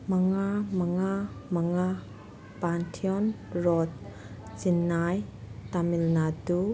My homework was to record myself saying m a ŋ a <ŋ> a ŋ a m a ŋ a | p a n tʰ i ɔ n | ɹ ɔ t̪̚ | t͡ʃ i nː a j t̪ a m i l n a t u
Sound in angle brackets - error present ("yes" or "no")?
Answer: yes